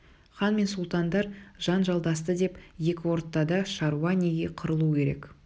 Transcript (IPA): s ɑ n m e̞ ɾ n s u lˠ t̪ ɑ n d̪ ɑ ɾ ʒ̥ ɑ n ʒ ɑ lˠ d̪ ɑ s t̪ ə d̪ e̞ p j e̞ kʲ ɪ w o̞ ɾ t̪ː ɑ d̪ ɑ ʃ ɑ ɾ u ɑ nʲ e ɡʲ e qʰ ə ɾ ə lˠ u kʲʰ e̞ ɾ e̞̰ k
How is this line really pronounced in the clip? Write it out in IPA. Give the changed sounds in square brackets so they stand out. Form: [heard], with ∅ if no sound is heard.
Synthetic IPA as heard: [χ] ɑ n m e̞ [∅] n s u lˠ t̪ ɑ n d̪ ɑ ɾ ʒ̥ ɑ n ʒ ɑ lˠ d̪ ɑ s t̪ ə d̪ e̞ p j e̞ kʲ ɪ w o̞ ɾ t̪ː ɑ d̪ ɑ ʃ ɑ ɾ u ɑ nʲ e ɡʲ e qʰ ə ɾ ə lˠ u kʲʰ e̞ ɾ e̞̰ k